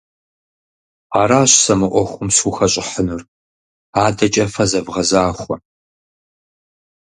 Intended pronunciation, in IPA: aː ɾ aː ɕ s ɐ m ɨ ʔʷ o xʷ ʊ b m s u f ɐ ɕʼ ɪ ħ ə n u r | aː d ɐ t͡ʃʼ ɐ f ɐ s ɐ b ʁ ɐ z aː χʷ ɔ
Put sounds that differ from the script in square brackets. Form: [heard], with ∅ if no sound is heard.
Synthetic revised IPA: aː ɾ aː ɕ s ɐ m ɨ ʔʷ [ɔ] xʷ ʊ [∅] m s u [x] ɐ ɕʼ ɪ ħ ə n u r | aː d ɐ t͡ʃʼ ɐ f ɐ [z] ɐ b ʁ ɐ z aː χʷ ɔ